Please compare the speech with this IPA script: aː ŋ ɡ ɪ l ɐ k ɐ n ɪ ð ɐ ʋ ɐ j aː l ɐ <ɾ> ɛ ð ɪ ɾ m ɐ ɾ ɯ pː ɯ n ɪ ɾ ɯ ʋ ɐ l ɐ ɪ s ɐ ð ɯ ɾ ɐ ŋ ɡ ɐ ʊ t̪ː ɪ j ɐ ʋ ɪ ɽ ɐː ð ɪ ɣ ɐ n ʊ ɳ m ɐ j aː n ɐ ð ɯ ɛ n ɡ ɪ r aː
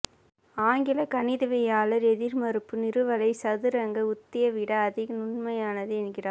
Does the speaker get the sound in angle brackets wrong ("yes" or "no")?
no